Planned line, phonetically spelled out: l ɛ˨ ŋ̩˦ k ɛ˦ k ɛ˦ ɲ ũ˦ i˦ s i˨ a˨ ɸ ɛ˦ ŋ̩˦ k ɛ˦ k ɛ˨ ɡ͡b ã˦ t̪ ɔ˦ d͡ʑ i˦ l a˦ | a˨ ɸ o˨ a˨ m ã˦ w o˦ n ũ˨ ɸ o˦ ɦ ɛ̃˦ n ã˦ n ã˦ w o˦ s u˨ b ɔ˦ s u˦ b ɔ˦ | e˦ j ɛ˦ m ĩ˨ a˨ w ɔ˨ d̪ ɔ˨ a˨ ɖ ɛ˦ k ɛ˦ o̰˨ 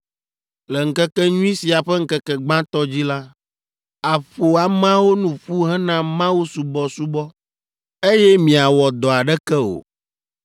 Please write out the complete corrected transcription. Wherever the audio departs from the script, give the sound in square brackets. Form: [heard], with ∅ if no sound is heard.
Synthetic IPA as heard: l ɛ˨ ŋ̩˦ k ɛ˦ k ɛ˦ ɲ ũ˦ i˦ s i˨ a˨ ɸ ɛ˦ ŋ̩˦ k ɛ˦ k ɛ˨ ɡ͡b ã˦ t̪ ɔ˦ d͡ʑ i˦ l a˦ | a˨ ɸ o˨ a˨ m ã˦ w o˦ n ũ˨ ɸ [u˦] ɦ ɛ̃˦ n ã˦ [m] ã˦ w [u˦] s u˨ b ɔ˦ s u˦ b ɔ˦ | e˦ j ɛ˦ m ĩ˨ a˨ w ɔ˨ d̪ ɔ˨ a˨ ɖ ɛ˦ k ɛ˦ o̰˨

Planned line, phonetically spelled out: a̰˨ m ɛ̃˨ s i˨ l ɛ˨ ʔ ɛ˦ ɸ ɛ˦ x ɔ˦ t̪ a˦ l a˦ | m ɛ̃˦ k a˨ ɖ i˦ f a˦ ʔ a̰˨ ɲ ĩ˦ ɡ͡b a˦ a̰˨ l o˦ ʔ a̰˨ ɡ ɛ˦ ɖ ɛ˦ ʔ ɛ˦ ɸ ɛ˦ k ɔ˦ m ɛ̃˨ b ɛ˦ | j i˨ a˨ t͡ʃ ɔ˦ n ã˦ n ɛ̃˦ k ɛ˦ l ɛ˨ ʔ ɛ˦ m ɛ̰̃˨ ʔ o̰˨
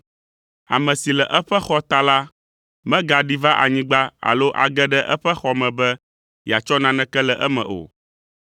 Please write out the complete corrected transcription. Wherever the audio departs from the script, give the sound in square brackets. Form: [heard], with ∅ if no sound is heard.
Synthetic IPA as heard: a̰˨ m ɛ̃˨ s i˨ l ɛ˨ ʔ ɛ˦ ɸ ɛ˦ x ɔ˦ t̪ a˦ l a˦ | m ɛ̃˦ [ɡ] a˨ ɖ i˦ [v] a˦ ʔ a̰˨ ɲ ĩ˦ ɡ͡b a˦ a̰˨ l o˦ ʔ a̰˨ ɡ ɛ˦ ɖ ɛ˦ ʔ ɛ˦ ɸ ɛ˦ [x] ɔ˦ m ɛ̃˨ b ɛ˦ | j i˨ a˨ t͡ʃ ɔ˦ n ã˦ n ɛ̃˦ k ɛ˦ l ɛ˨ ʔ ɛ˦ m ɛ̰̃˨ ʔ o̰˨

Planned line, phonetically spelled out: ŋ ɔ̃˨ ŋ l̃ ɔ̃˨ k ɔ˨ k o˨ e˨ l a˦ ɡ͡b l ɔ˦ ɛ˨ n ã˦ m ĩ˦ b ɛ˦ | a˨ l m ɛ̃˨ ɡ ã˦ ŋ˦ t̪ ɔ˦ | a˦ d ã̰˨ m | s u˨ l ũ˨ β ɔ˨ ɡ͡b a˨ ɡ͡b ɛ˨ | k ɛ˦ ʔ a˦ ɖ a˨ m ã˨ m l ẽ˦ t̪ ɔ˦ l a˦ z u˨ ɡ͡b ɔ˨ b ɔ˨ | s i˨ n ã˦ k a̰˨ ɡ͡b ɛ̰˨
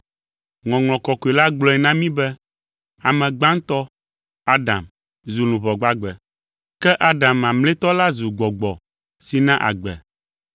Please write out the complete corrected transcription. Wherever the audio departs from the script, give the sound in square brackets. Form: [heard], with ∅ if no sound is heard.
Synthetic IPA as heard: ŋ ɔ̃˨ ŋ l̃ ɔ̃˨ k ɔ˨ k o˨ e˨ l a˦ ɡ͡b l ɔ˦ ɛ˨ n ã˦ m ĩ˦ b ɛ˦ | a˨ [∅] m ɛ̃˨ [ɡ͡b] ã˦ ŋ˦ t̪ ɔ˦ | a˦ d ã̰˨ m | [z] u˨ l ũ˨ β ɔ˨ ɡ͡b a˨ ɡ͡b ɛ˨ | k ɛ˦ ʔ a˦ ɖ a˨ m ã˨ m l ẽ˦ t̪ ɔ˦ l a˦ z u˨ ɡ͡b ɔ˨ [ɡ͡b] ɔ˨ | s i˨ n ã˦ [ʔ] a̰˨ ɡ͡b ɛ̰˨

